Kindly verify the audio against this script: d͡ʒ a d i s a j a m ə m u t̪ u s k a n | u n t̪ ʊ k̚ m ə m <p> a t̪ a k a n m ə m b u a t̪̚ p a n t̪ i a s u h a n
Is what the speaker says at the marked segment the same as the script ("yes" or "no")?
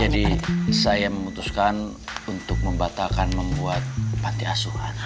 no